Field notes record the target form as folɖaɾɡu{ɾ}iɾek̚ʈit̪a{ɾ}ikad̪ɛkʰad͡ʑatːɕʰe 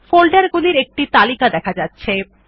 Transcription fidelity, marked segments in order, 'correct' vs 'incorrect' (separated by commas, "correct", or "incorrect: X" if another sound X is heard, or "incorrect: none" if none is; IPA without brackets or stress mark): incorrect: l, incorrect: l